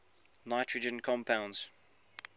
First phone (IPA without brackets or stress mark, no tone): n